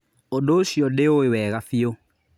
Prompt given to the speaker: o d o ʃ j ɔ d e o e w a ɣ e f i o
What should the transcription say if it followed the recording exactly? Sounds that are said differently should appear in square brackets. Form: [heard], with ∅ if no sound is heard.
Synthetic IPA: o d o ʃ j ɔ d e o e w [ɛ] ɣ [a] f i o